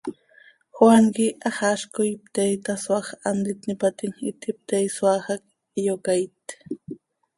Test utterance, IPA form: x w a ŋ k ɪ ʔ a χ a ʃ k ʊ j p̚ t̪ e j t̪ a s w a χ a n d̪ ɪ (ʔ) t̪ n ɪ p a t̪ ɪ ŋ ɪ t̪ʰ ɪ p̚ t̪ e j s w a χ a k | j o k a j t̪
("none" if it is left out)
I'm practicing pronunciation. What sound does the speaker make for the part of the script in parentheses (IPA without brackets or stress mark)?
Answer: none